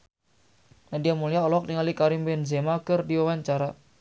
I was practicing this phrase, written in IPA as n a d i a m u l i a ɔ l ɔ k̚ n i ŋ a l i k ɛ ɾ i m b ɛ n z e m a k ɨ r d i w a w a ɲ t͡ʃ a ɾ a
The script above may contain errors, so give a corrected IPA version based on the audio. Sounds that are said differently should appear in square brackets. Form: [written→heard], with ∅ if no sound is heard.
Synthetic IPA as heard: n a d i a m u l i a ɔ l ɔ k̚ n i ŋ a l i k [ɛ→a] ɾ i m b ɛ n z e m a k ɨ r d i w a w a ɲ t͡ʃ a ɾ a